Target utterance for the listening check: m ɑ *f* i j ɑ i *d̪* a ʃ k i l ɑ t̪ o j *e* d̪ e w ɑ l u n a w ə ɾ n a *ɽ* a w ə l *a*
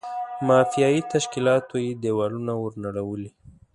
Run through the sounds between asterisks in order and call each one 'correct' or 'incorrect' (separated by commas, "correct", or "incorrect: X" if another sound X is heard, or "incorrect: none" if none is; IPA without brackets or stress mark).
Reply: correct, incorrect: t̪, correct, correct, incorrect: i